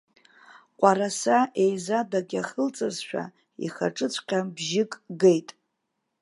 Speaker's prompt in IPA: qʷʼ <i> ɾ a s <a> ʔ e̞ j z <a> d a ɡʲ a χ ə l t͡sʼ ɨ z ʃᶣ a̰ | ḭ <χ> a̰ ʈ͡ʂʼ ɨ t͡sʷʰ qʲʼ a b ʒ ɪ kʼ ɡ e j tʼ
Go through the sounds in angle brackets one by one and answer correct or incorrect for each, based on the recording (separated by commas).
incorrect, correct, correct, correct